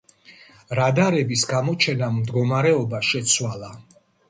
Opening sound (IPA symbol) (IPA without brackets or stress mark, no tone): ɾ